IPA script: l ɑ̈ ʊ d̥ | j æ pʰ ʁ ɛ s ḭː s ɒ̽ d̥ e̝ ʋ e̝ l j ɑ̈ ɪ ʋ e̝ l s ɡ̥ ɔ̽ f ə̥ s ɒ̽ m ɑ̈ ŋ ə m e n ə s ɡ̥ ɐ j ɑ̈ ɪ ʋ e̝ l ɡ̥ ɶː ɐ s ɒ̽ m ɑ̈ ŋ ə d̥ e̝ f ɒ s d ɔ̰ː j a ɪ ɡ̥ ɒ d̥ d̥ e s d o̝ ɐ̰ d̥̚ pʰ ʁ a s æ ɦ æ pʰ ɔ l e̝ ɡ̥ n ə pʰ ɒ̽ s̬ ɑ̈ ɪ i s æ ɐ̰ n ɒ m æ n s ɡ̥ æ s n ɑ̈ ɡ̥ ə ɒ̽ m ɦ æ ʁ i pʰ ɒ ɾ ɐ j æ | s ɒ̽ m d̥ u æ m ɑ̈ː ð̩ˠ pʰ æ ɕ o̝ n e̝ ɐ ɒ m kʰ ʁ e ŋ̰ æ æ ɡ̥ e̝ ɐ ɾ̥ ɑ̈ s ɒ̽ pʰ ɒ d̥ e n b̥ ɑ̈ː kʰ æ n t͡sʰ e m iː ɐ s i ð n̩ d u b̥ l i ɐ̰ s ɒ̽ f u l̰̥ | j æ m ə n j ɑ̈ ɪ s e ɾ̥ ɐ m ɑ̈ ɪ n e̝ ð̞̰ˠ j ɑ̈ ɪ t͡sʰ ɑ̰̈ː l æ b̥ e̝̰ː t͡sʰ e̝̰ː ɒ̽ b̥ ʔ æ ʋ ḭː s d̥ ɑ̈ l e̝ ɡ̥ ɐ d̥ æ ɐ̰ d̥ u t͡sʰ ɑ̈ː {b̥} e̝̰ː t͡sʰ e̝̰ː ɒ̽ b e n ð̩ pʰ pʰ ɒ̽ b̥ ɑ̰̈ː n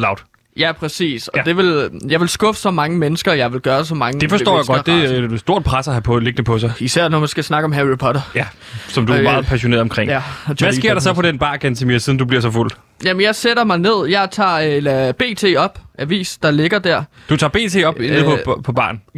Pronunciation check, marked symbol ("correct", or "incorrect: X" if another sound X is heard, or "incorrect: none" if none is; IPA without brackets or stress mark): correct